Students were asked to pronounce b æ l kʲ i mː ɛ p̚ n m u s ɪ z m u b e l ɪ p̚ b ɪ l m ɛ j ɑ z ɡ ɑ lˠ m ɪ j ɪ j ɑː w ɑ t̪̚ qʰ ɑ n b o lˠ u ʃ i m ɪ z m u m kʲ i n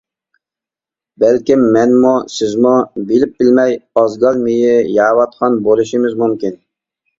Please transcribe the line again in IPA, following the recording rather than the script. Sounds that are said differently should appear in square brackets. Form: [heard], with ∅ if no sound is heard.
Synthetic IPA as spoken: b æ l kʲ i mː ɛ [∅] n m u s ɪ z m u b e l ɪ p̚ b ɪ l m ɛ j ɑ z ɡ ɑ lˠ m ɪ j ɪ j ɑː w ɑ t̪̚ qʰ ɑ n b o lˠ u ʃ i m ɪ z m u m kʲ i n